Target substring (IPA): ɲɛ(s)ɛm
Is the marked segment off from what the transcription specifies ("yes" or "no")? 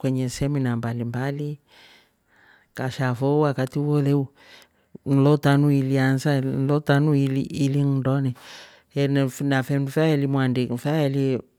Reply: no